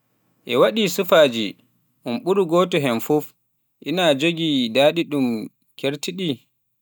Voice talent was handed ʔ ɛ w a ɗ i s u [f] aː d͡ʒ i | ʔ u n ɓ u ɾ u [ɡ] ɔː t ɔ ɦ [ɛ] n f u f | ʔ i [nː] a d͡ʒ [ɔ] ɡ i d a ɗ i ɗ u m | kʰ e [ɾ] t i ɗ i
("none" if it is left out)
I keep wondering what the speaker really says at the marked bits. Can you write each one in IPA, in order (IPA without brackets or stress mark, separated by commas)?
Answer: f, ɡ, ɛ, n, o, ɾ